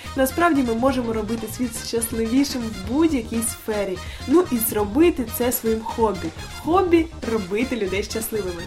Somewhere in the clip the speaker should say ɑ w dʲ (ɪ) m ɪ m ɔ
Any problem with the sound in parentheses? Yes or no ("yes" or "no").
yes